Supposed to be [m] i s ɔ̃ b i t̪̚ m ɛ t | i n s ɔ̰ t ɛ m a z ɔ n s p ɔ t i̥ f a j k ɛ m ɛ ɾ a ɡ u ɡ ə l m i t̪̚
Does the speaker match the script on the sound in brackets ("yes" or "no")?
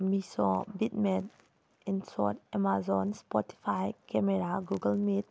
yes